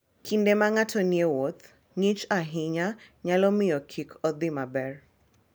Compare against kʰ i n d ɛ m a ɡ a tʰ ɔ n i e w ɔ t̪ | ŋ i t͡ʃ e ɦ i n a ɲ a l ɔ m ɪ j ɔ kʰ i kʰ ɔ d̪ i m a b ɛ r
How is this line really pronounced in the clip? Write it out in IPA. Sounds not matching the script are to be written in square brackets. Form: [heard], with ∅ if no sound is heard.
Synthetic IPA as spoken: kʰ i n d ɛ m a [ŋ] a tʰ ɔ n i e w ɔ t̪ | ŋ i t͡ʃ [a] ɦ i [ɲ] a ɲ a l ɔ m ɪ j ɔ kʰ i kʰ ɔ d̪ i m a b ɛ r